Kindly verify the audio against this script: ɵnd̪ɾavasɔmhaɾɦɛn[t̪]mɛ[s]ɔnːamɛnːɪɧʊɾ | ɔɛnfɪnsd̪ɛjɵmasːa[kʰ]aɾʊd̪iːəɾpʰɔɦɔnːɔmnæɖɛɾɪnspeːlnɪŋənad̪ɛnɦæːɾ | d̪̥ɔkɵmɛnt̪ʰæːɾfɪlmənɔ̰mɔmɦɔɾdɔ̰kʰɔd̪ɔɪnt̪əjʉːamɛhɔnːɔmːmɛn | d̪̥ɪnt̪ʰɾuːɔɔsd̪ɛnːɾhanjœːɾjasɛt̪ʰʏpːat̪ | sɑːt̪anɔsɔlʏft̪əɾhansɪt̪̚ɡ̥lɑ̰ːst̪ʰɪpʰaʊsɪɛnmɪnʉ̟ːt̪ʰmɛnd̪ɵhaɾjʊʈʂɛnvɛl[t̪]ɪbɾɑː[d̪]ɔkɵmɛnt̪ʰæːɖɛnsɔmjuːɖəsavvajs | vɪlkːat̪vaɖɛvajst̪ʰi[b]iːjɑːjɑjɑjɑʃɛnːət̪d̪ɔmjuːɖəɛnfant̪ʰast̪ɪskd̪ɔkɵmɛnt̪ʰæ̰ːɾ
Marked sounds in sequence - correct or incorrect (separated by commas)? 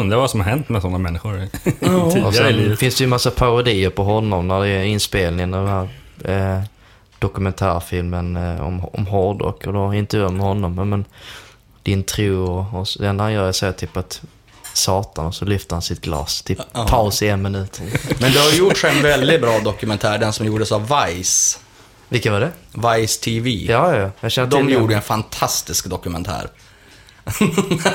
correct, correct, incorrect, incorrect, correct, incorrect